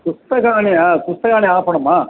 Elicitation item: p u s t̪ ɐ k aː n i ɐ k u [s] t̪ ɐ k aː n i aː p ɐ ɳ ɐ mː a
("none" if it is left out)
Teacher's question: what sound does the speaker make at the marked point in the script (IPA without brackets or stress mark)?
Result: s